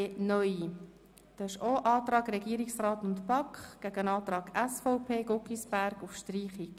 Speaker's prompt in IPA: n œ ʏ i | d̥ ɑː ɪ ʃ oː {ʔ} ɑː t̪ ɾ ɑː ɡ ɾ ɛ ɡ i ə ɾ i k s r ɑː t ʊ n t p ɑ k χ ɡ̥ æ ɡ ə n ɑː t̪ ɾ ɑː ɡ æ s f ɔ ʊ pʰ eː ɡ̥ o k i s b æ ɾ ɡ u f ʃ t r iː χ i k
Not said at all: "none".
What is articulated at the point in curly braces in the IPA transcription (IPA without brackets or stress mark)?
ʔ